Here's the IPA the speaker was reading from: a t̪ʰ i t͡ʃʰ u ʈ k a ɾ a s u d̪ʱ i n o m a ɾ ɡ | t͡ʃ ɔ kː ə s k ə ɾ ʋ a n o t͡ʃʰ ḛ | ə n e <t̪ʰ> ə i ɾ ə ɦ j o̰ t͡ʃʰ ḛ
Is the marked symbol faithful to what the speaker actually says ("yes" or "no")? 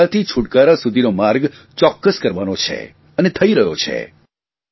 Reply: yes